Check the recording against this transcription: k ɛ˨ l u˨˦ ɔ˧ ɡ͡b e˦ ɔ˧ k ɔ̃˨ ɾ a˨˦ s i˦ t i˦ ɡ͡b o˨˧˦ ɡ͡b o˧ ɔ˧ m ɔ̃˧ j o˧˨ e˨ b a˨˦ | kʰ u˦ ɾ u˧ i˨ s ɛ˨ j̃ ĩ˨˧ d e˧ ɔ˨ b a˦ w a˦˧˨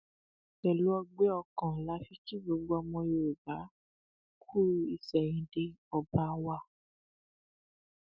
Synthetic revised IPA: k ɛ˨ l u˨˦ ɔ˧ ɡ͡b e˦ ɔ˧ k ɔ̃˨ l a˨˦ f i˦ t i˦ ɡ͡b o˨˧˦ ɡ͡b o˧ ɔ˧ m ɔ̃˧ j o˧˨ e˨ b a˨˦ | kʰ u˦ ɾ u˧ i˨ s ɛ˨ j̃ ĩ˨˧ d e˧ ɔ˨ b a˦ w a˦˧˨